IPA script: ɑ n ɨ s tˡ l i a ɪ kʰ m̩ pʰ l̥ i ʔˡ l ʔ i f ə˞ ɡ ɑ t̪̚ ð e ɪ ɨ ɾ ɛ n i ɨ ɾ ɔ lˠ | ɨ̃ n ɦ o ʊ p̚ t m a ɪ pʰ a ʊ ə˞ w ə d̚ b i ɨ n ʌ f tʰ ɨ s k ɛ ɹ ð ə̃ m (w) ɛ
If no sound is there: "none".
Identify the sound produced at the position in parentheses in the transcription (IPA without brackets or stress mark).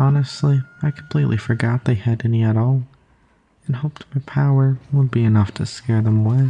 w